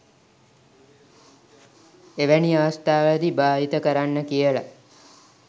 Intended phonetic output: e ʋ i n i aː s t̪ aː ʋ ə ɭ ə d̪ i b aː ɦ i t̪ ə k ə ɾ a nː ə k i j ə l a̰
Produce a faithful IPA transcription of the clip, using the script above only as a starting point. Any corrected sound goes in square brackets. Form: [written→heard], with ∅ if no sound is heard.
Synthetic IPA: e ʋ [i→æ] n i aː s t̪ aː ʋ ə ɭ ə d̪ i b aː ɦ i t̪ ə k ə ɾ a nː ə k i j ə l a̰